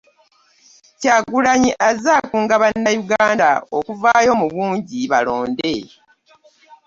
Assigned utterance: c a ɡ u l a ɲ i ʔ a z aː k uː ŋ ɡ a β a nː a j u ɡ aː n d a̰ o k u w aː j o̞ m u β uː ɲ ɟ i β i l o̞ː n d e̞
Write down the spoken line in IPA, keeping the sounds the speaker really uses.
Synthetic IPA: c a ɡ u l a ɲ i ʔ a z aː k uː ŋ ɡ a β a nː a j u ɡ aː n d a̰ o k u v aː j o̞ m u β uː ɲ ɟ i β a l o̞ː n d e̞